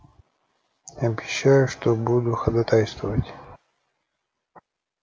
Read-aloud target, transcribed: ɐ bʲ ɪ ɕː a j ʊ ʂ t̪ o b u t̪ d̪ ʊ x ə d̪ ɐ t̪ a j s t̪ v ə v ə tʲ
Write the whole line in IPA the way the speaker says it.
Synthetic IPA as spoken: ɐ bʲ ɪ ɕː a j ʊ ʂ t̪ o b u d̪ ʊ x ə d̪ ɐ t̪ a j s t̪ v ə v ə tʲ